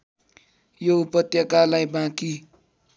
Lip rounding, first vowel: rounded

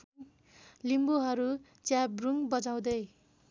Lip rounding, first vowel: unrounded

